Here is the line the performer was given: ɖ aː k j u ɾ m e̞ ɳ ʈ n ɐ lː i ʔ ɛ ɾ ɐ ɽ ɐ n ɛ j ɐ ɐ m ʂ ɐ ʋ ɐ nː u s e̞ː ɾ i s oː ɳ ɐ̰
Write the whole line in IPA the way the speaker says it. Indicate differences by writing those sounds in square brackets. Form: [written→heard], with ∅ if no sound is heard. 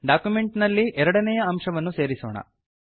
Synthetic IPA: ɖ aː k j u [ɾ→∅] m e̞ ɳ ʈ n ɐ lː i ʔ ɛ ɾ ɐ ɽ ɐ n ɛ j ɐ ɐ m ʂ ɐ ʋ ɐ nː u s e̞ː ɾ i s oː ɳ ɐ̰